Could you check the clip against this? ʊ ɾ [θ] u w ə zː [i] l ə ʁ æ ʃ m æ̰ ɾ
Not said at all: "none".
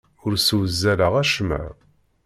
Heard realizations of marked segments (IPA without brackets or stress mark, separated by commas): s, æ